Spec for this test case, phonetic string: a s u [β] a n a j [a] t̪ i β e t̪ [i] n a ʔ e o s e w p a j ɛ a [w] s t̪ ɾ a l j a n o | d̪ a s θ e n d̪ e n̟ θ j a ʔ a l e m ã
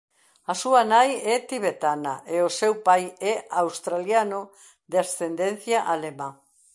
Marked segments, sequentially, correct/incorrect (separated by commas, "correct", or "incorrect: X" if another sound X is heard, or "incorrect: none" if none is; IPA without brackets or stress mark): incorrect: none, incorrect: ɛ, incorrect: a, correct